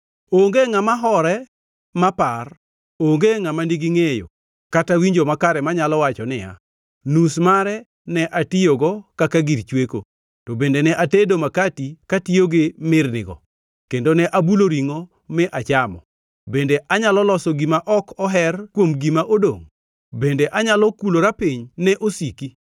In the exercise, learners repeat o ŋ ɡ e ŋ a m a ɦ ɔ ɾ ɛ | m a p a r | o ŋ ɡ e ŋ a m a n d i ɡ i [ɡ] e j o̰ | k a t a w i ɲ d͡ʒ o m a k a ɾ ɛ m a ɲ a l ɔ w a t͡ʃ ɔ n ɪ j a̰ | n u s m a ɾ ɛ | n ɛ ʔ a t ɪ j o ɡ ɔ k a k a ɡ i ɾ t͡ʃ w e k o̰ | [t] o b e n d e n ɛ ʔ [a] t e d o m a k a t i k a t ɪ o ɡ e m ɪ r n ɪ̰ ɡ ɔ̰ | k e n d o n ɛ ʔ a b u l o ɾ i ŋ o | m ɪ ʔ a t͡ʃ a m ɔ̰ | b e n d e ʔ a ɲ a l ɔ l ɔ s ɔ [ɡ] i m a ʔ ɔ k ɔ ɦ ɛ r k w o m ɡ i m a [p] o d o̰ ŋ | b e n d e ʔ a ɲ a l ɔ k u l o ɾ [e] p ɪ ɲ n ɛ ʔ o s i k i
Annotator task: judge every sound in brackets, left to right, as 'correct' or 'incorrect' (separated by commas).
incorrect, correct, correct, correct, incorrect, incorrect